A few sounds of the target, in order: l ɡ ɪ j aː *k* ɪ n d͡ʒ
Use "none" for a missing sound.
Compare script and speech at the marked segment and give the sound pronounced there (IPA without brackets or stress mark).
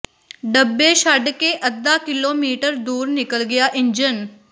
ʔ